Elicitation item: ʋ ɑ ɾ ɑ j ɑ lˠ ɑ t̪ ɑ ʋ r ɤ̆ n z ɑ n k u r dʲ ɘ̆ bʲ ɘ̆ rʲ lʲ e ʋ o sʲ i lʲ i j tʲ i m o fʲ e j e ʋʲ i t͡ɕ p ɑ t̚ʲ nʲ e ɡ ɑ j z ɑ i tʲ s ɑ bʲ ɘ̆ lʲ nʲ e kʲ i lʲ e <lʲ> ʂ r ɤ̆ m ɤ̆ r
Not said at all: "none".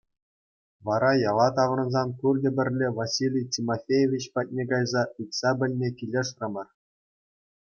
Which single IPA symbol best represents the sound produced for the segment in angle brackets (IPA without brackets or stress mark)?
none